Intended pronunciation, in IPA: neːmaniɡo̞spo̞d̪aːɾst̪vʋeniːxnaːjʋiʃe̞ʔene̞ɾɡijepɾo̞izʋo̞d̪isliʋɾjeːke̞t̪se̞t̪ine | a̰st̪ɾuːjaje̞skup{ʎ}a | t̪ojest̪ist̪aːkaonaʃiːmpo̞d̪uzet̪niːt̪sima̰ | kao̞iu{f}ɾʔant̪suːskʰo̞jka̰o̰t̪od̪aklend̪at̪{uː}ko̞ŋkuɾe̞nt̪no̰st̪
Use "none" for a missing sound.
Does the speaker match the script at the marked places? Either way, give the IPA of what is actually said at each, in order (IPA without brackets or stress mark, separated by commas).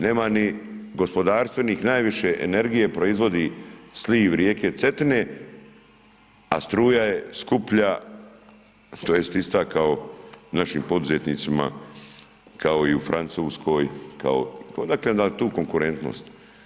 ʎ, f, uː